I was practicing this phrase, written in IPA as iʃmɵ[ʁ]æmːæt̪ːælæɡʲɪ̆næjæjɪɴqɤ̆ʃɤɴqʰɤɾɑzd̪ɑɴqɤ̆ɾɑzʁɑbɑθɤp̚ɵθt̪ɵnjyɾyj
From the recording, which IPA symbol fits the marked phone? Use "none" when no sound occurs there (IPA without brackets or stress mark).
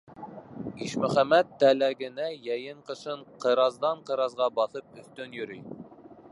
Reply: χ